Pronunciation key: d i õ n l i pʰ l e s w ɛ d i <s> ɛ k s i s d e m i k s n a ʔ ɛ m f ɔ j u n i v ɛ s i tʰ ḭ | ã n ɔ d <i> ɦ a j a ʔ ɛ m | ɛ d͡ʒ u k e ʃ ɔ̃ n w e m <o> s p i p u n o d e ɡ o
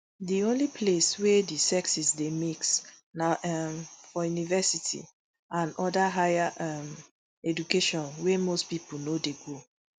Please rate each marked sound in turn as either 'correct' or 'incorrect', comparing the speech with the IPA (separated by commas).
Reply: correct, incorrect, correct